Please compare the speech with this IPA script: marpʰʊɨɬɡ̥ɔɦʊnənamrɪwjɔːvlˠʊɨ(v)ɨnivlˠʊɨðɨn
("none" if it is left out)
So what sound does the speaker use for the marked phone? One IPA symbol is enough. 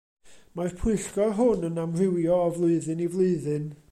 ð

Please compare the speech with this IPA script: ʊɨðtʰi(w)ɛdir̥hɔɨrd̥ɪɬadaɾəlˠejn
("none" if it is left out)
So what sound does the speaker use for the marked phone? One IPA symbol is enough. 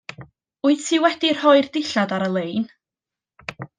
w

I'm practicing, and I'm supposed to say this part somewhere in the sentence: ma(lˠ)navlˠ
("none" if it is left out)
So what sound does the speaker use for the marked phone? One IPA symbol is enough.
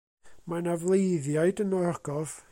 none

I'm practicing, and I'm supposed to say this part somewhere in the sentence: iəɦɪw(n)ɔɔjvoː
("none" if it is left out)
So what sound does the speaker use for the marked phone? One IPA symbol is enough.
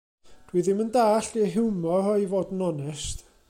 m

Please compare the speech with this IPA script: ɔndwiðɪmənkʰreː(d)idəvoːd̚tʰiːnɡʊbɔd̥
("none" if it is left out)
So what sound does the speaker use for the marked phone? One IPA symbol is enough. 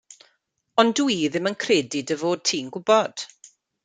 d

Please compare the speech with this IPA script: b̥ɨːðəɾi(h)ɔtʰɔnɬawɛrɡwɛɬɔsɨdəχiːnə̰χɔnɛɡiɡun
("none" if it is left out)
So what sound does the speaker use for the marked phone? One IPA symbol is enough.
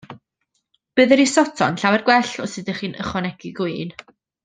s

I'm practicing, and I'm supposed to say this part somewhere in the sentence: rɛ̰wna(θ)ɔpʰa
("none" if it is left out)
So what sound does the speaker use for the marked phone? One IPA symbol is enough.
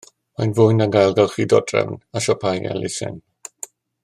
ʃ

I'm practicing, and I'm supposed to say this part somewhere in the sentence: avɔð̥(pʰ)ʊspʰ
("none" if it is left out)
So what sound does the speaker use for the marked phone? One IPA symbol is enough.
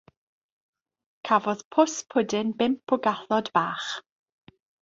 pʰ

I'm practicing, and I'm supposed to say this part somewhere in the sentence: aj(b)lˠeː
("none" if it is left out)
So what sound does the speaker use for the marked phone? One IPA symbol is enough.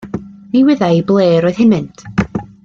b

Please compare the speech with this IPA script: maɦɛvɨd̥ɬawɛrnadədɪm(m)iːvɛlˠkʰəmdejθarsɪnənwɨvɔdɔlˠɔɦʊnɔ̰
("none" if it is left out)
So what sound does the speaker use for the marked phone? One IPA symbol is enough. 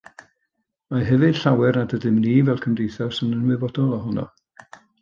n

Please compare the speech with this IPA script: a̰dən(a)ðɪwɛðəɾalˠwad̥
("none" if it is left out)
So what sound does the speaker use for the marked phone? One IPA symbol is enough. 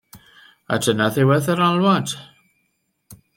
a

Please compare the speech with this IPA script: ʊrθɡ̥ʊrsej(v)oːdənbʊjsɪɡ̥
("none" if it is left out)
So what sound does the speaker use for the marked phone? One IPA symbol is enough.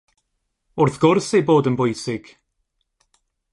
b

